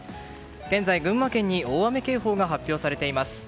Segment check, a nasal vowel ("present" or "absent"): present